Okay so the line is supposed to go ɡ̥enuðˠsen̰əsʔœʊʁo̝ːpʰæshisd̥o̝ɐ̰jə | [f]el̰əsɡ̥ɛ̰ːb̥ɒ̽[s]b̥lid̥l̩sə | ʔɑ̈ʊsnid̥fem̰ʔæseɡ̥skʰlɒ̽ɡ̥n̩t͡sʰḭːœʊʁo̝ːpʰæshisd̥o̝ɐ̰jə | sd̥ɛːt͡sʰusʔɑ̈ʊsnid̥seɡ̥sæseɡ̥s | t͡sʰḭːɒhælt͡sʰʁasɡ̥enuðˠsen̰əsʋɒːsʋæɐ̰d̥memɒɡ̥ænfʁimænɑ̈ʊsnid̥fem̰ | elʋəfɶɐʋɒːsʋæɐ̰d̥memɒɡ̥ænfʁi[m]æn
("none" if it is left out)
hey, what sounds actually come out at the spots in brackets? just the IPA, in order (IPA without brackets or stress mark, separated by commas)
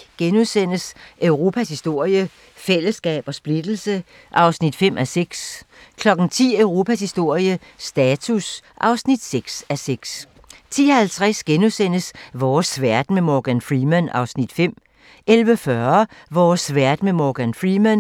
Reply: f, s, m